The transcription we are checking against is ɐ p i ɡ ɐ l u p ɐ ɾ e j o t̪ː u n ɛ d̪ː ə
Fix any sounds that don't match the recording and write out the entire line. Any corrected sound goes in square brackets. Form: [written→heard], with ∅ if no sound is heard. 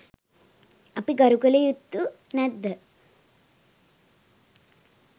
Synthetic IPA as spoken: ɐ p i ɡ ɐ [l→ɾ] u [p→k] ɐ [ɾ→l] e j [o→u] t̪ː u n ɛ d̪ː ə

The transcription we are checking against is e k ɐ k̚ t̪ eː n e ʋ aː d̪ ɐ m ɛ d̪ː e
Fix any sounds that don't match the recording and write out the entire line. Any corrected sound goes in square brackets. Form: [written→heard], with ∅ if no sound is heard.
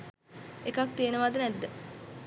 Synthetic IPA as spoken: e k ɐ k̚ t̪ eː n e ʋ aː d̪ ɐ [m→n] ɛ d̪ː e

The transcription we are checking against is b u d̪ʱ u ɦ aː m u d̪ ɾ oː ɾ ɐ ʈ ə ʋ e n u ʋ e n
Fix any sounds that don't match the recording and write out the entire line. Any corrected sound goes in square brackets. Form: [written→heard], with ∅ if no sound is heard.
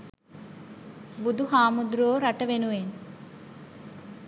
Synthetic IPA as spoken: b u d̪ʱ u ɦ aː m u d̪ ɾ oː ɾ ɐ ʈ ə ʋ e n u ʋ e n

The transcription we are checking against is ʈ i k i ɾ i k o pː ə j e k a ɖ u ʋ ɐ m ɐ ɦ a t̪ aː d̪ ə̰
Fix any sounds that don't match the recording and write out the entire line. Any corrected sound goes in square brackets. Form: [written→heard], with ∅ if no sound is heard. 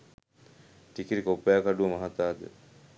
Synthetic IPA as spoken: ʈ i k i ɾ i k o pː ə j [e→a] k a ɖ u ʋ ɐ m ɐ ɦ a t̪ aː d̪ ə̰

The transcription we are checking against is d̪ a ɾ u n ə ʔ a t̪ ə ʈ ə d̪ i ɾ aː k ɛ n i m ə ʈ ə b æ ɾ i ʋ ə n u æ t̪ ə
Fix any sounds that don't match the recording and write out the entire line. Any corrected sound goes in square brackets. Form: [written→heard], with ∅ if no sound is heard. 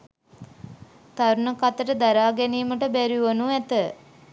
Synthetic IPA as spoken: [d̪→t̪] a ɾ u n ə [ʔ→k] a t̪ ə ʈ ə d̪ [i→a] ɾ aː [k→ɡ] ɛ n [i→iː] m ə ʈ ə b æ ɾ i ʋ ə n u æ t̪ ə

